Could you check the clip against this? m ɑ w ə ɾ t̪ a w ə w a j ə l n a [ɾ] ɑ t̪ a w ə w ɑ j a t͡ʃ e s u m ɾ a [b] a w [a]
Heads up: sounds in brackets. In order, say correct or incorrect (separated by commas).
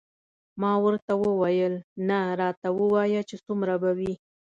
correct, correct, incorrect